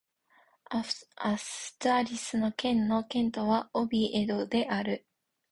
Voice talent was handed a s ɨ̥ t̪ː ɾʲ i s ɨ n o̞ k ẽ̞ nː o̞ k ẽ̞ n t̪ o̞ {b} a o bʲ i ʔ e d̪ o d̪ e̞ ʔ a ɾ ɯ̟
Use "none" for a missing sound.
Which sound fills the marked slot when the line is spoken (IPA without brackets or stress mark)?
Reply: β